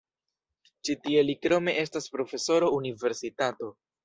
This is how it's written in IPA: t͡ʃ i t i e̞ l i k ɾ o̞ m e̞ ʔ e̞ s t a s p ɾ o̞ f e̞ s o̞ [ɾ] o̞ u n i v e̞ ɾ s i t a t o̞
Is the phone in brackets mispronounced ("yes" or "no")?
no